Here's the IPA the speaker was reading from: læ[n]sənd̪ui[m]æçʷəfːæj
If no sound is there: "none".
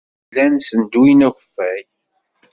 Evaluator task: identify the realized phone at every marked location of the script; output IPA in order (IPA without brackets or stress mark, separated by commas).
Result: n, n